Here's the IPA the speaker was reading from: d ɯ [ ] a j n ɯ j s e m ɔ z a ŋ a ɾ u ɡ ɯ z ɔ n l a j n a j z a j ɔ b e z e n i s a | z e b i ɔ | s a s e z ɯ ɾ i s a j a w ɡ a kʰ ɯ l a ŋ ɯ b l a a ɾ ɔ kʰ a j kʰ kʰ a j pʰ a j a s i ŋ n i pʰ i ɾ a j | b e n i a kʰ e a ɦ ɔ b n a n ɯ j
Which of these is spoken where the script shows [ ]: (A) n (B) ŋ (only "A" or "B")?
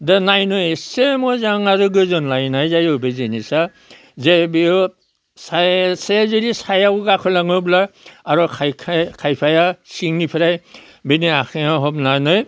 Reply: A